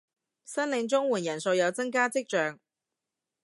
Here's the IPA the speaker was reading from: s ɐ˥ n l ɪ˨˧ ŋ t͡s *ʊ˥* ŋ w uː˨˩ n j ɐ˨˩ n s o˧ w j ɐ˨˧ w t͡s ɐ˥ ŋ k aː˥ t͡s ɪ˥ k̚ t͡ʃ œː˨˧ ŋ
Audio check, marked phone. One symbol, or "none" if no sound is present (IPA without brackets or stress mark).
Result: ʊ˥